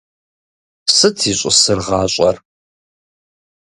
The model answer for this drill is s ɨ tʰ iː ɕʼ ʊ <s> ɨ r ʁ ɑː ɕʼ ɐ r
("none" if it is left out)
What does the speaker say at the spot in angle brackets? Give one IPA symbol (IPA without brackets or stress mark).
s